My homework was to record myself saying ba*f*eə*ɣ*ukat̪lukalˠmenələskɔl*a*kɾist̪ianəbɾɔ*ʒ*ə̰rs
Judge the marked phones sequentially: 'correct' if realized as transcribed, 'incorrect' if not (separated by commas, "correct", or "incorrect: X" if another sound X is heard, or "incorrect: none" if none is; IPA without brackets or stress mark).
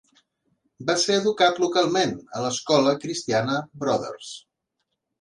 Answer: incorrect: s, incorrect: ð, incorrect: ə, incorrect: ð